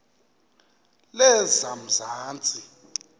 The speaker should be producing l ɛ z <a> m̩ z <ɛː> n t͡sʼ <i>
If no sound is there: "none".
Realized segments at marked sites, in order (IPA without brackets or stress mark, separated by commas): a, aː, i